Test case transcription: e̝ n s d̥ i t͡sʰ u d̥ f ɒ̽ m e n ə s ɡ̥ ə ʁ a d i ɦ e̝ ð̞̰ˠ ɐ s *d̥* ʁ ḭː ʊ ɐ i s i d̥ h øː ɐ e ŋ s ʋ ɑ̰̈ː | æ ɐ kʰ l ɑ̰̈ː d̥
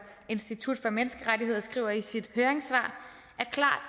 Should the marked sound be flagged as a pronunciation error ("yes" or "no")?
yes